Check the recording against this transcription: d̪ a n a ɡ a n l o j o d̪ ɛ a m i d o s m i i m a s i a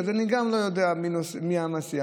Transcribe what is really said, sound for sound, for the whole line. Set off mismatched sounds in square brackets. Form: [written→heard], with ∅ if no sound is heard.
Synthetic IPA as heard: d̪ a n [a→i] ɡ a [n→m] l o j o d̪ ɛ a m i [d→n] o s m i [i→a] m a s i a